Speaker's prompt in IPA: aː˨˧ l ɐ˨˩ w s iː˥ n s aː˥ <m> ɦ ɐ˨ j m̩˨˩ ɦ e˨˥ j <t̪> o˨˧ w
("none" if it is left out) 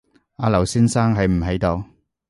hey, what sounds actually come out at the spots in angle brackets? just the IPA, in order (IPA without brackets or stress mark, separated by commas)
ŋ, t̪